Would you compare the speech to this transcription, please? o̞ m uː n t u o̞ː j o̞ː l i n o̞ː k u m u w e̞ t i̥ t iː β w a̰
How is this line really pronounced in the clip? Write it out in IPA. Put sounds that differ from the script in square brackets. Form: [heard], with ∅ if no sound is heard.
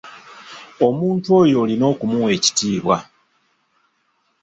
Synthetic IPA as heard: o̞ m uː n t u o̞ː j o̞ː l i n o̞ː k u m u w e̞ [c] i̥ t iː β w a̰